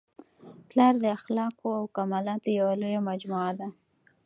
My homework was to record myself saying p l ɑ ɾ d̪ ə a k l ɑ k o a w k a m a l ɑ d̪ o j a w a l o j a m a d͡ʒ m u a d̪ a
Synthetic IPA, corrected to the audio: p l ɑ ɾ d̪ ə a x l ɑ k o a w k a m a l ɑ t̪ o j a w a l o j a m a d͡ʒ m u a d̪ a